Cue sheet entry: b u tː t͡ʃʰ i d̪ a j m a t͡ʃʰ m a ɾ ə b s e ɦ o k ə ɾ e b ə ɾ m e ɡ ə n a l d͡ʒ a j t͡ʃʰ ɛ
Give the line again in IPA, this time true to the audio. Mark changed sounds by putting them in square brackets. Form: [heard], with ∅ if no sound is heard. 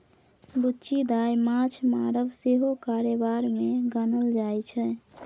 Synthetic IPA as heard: b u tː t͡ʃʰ i d̪ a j m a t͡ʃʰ m a ɾ ə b s e ɦ o k [a] ɾ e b [a] ɾ m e ɡ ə n [ə] l d͡ʒ a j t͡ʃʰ ɛ